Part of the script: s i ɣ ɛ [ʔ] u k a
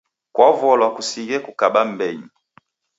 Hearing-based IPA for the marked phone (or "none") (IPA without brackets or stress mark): k